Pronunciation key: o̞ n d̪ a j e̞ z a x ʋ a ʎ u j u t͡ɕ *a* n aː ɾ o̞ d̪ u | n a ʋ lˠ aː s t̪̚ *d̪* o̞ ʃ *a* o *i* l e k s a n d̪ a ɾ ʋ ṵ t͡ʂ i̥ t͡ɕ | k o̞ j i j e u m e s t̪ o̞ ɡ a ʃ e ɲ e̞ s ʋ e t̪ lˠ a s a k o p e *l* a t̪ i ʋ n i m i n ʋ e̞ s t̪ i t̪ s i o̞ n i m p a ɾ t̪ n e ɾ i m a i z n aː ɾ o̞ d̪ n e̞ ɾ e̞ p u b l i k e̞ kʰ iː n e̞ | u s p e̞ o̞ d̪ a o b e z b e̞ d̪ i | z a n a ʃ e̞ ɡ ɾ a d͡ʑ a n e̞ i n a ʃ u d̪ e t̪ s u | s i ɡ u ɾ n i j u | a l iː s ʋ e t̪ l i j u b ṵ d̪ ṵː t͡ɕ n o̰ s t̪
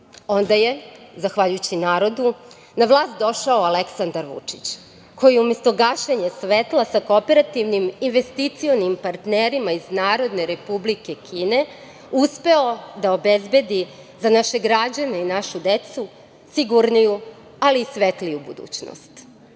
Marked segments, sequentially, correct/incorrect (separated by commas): incorrect, correct, correct, incorrect, incorrect